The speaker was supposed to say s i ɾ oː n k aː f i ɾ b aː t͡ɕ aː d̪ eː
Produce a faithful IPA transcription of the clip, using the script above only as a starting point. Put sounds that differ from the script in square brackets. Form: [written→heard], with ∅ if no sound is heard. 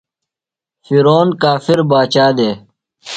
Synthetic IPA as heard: [s→f] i ɾ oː n k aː f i ɾ b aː t͡ɕ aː d̪ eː